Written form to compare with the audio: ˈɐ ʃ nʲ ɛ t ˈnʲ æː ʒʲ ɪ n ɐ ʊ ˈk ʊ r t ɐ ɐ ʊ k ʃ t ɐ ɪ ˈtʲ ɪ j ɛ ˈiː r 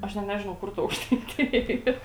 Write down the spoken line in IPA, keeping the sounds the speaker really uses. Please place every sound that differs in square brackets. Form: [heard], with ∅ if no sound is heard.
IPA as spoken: ˈɐ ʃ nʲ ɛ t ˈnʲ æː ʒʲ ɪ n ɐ ʊ ˈk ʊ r t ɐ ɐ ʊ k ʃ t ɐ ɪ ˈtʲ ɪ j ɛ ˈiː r